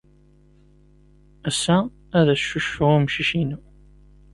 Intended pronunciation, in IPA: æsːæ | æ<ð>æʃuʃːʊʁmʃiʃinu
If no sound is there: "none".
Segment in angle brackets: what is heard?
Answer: ð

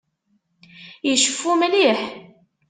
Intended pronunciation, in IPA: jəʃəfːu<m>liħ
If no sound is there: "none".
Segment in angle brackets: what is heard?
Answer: m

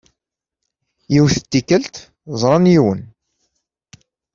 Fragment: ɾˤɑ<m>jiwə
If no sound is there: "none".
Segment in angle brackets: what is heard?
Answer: n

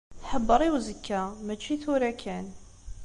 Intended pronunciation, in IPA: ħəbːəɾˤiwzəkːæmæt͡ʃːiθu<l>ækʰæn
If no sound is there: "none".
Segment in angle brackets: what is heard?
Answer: ɾ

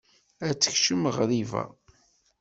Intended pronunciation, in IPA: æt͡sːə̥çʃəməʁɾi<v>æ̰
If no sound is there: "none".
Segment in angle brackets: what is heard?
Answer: v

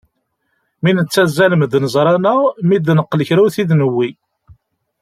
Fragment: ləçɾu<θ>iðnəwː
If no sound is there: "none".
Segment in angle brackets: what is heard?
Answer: θ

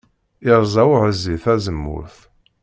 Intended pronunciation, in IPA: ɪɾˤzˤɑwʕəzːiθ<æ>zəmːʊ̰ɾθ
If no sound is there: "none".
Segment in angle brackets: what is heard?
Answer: æ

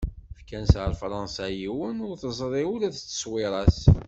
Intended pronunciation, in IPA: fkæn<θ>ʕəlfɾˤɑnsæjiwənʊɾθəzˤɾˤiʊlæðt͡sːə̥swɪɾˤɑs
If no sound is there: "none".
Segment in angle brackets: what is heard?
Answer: s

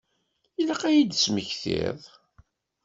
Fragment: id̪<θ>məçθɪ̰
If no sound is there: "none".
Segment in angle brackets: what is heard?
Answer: s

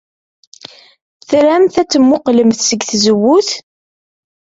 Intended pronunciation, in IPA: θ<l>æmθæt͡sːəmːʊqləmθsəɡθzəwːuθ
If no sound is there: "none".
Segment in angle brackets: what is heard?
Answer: ɾ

